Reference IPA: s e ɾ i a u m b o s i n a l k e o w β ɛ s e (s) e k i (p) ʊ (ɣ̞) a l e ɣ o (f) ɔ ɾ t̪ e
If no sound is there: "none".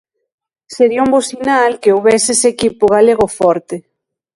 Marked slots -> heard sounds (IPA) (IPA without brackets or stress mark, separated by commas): s, p, ɣ̞, f